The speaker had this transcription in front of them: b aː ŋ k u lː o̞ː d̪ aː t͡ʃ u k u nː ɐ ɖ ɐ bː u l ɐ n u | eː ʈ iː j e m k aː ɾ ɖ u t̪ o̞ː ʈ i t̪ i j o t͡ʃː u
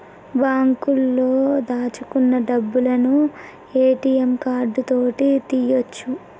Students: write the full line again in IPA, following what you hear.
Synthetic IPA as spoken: b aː ŋ k u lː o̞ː d̪ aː t͡ʃ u k u nː ɐ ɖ ɐ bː u l ɐ n u | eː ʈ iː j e m k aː ɾ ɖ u t̪ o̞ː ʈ i t̪ i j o t͡ʃː u